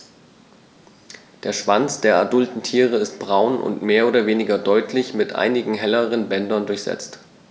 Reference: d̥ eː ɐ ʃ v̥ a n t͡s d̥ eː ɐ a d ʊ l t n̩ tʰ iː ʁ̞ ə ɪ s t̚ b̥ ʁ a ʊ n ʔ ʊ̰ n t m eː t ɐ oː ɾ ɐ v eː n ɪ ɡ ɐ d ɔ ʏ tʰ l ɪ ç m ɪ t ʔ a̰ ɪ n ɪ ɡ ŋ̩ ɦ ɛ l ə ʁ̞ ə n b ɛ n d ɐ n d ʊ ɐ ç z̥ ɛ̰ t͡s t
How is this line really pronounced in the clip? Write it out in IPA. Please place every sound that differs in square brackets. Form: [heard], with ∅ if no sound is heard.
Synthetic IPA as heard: d̥ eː ɐ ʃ v̥ a n t͡s d̥ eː ɐ a d ʊ l t n̩ tʰ iː ʁ̞ ə ɪ s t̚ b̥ ʁ a ʊ n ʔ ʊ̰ n t m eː [∅] ɐ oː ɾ ɐ v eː n ɪ ɡ ɐ d ɔ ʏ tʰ l ɪ ç m ɪ t ʔ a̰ ɪ n ɪ ɡ ŋ̩ ɦ ɛ l ə ʁ̞ ə n b ɛ n d ɐ n d ʊ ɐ ç z̥ ɛ̰ t͡s t